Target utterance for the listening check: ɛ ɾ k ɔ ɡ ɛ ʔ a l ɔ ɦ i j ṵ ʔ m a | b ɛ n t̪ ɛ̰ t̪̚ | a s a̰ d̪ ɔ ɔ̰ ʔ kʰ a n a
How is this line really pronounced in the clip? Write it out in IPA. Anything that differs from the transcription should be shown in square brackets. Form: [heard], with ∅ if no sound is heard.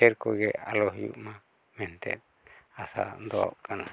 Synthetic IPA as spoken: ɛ ɾ k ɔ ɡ ɛ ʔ a l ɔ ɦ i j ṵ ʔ m a | [m] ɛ n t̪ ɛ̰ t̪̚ | a s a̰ d̪ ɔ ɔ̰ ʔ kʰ a n a